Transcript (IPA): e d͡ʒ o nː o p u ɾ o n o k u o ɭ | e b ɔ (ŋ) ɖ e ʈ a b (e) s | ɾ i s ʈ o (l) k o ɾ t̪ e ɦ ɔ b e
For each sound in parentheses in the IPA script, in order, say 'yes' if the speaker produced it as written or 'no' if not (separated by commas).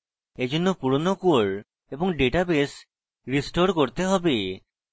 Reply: yes, yes, no